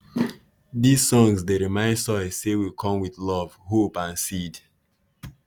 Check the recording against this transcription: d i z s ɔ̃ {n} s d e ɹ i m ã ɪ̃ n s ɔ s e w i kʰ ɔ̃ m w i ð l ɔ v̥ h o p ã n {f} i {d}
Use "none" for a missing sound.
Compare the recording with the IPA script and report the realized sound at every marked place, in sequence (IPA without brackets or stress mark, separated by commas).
ŋ, s, d